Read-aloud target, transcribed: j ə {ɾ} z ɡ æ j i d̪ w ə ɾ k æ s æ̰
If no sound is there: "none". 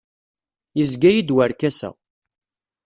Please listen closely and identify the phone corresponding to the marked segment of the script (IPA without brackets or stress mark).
none